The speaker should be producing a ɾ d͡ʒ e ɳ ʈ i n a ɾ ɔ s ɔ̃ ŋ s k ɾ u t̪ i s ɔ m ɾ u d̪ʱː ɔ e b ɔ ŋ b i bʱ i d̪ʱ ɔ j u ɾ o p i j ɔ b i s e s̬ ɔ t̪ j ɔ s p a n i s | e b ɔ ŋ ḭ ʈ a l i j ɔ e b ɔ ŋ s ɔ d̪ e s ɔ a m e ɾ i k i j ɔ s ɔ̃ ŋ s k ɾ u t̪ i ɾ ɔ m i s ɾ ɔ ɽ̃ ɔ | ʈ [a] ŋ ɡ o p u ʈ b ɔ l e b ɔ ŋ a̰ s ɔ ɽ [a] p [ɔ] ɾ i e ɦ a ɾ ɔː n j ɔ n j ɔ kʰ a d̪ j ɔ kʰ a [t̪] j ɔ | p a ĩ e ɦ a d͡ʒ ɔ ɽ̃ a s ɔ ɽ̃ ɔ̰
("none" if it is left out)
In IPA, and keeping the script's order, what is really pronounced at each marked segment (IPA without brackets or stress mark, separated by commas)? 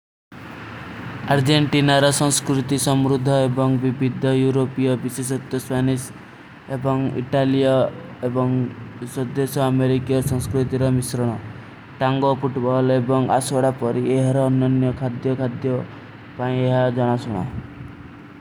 a, a, ɔ, d̪